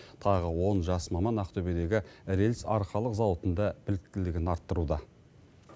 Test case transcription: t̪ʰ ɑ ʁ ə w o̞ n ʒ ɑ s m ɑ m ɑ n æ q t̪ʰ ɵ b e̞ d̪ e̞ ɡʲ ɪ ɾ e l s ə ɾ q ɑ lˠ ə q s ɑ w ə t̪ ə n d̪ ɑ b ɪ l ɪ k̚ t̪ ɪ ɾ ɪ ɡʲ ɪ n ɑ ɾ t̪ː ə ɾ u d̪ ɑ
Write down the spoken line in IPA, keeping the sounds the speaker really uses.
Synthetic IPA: t̪ʰ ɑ ʁ ə w o̞ n ʒ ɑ s m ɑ m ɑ n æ q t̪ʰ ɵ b e̞ d̪ e̞ ɡʲ ɪ ɾ e l s ɑ ɾ q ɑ lˠ ə q z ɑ w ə t̪ ə n d̪ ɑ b ɪ l ɪ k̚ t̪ ɪ l ɪ ɡʲ ɪ n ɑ ɾ t̪ː ə ɾ u d̪ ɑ